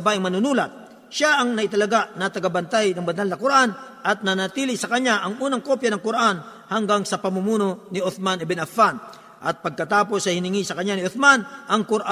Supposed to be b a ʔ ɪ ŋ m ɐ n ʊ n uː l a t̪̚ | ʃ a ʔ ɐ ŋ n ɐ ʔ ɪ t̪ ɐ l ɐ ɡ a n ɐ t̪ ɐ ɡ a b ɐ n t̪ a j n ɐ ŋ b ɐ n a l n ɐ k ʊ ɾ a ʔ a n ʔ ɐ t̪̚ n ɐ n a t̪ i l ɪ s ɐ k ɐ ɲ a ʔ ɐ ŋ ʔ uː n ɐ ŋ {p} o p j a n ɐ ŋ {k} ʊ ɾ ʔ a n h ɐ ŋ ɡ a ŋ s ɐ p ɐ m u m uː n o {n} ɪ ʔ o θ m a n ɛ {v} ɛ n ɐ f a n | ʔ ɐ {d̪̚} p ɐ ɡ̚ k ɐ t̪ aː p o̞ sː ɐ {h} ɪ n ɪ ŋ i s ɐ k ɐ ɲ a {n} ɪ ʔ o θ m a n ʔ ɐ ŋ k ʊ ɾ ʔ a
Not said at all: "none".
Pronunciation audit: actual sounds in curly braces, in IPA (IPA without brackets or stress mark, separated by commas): k, k, n, b, t̪̚, h, n